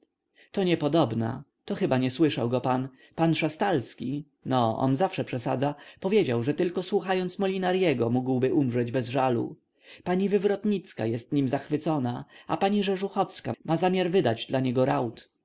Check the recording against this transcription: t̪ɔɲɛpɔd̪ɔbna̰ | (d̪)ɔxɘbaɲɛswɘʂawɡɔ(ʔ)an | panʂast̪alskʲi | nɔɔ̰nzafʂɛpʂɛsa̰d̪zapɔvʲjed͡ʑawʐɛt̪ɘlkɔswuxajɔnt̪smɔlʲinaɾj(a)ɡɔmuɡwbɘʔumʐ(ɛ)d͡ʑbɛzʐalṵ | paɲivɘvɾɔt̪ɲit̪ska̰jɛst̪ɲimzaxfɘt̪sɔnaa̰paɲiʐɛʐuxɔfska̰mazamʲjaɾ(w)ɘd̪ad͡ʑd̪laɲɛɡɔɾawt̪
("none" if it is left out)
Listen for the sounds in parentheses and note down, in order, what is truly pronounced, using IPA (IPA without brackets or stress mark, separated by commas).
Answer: t̪, p, ɛ, ɛ, v